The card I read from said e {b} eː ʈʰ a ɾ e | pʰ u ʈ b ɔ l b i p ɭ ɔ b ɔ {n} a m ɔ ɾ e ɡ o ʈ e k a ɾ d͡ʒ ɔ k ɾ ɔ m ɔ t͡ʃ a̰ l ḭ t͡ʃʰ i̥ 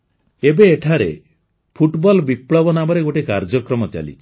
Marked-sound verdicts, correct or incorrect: correct, correct

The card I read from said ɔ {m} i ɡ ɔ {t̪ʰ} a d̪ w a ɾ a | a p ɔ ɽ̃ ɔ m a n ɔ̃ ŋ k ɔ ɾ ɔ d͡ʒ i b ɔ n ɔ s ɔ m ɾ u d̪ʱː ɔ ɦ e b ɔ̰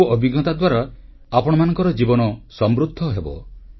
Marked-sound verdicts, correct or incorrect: incorrect, incorrect

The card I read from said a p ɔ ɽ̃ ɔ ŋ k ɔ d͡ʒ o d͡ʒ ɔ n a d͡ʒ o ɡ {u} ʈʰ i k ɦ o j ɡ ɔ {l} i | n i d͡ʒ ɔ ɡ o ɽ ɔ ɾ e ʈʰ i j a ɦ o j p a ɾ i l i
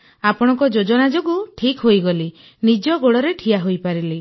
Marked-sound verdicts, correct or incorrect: correct, correct

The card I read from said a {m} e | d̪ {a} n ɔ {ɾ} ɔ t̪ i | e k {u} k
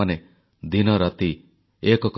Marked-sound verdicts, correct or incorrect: incorrect, incorrect, correct, incorrect

